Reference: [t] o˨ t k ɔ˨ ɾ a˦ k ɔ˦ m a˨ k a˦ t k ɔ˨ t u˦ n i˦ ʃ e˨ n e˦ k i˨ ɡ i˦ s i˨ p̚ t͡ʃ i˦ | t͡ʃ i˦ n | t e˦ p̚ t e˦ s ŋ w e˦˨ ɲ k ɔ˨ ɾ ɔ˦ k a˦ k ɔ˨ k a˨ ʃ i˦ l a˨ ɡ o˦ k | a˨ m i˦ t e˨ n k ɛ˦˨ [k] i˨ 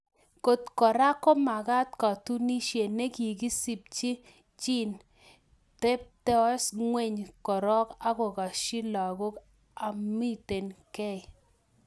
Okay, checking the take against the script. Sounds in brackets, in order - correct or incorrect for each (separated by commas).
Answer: incorrect, incorrect